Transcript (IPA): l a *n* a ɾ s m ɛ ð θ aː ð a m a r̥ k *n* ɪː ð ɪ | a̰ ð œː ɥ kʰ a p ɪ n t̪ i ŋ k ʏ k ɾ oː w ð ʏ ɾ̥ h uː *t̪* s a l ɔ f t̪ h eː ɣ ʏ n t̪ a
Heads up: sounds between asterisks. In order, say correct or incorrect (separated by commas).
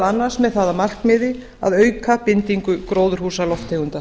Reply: incorrect, incorrect, incorrect